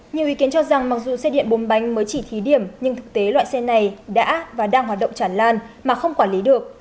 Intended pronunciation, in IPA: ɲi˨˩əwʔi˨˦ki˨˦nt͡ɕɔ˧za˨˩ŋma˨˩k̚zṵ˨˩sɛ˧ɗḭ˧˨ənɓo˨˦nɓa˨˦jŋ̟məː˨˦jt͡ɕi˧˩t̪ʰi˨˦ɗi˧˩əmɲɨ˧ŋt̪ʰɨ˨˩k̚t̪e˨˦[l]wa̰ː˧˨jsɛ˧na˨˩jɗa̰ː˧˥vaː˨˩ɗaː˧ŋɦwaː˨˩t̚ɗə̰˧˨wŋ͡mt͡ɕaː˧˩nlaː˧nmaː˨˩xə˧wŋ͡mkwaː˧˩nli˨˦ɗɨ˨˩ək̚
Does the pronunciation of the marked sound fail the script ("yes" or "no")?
no